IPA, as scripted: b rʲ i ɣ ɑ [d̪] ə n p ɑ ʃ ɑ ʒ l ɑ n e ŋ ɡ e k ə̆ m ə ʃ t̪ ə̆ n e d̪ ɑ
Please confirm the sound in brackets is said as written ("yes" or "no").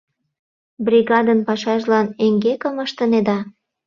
yes